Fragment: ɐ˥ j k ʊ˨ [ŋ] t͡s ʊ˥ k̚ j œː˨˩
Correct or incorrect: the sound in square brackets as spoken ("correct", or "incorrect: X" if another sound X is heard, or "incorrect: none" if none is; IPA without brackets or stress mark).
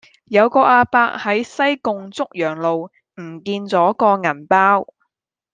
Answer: correct